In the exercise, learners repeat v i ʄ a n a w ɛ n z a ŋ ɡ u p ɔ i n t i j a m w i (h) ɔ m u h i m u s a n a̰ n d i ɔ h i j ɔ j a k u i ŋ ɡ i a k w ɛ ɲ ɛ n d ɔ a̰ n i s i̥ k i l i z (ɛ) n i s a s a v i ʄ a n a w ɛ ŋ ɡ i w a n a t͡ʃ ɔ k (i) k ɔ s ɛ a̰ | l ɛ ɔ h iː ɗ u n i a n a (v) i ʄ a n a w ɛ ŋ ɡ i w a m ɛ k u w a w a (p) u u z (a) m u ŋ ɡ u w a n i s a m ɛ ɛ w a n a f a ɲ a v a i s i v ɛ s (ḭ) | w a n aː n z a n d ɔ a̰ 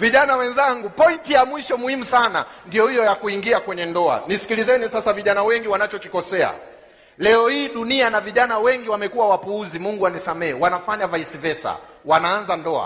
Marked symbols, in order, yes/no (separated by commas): no, yes, yes, yes, yes, no, no